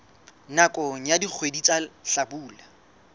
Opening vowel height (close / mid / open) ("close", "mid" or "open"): open